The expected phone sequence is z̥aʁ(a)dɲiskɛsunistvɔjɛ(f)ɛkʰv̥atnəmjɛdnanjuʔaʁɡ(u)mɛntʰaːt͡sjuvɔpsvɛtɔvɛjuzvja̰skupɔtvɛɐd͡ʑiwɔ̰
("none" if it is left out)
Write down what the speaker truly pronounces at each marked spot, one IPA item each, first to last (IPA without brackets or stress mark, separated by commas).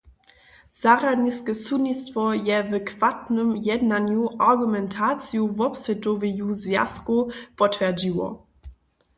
a, v, u